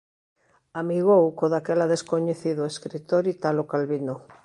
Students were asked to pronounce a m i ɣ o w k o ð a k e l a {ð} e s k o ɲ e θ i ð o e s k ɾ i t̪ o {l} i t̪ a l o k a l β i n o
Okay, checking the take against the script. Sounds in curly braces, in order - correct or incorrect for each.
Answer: correct, incorrect: ɾ

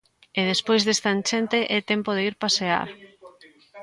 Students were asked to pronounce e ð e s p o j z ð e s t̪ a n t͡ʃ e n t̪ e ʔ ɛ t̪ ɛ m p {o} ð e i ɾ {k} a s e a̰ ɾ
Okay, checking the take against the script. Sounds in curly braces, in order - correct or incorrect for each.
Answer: correct, incorrect: p

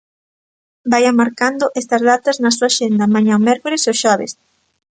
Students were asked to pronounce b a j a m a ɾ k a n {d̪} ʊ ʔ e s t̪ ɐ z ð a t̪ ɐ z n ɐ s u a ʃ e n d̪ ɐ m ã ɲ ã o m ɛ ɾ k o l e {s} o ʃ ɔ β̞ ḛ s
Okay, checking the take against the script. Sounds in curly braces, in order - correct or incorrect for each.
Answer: correct, correct

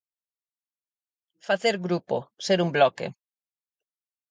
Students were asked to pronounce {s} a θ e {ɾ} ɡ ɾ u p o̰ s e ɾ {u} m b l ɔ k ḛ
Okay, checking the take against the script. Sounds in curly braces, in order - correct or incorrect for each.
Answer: incorrect: f, correct, correct

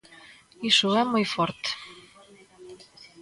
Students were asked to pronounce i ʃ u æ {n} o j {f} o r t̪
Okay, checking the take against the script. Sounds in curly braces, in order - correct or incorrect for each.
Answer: incorrect: m, correct

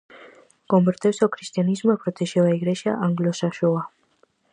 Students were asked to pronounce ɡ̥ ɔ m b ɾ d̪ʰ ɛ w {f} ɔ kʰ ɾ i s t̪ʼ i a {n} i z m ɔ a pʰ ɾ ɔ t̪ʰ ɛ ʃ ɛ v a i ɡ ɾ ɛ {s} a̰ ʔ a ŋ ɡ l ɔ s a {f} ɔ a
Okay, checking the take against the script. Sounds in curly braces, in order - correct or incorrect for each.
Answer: incorrect: s, correct, incorrect: ʃ, incorrect: ʃ

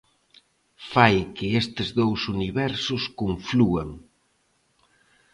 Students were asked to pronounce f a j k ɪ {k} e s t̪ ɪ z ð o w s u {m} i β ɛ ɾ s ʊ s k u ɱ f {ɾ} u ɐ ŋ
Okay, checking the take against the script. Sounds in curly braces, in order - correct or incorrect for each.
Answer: incorrect: none, incorrect: n, incorrect: l

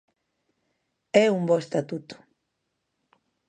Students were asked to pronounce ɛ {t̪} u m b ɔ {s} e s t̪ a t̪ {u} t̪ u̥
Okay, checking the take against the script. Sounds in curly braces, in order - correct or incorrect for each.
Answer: incorrect: none, incorrect: none, correct

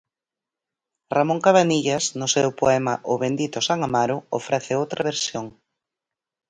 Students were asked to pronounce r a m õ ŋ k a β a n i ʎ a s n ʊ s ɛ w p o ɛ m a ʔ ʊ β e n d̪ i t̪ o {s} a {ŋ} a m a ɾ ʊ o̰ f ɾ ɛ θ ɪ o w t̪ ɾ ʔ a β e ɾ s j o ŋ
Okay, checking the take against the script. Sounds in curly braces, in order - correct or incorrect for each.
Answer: correct, correct

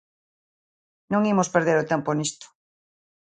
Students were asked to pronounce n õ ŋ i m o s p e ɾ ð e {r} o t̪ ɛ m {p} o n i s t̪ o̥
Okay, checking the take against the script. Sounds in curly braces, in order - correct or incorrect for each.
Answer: incorrect: ɾ, correct

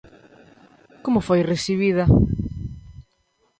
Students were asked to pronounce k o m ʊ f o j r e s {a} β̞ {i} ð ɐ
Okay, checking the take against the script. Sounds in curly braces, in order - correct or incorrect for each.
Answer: incorrect: i, correct

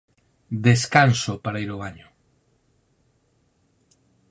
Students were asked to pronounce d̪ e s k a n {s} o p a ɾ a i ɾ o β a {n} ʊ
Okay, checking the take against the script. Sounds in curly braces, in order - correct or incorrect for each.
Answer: correct, incorrect: ɲ

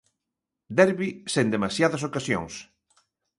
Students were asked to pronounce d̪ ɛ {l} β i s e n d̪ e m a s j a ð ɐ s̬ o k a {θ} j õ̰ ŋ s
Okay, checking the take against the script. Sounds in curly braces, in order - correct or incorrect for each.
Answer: incorrect: ɾ, incorrect: s

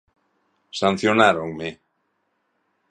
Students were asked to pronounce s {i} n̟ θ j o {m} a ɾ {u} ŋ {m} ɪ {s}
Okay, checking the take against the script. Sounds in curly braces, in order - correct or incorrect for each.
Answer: incorrect: a, incorrect: n, incorrect: o, correct, incorrect: none

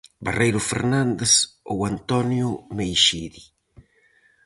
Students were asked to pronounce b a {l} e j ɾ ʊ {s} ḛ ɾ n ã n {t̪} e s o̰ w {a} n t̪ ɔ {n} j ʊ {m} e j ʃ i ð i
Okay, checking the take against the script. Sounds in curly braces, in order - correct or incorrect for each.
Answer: incorrect: r, incorrect: f, incorrect: d̪, correct, correct, correct

